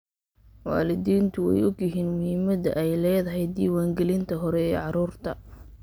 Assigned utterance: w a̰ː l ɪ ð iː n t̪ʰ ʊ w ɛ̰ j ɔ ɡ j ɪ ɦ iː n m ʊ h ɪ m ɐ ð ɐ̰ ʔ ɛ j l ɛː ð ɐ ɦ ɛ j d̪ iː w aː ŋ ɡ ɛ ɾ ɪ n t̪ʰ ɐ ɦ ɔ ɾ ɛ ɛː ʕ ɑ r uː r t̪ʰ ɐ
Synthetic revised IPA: w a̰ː l ɪ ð iː n t̪ʰ ʊ w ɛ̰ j ɔ ɡ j ɪ ɦ iː n m ʊ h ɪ m ɐ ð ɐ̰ ʔ ɛ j l ɛː ð ɐ ɦ ɛ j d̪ iː w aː ŋ ɡ ɛ l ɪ n t̪ʰ ɐ ɦ ɔ ɾ ɛ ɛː ʕ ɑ ɾ uː r t̪ʰ ɐ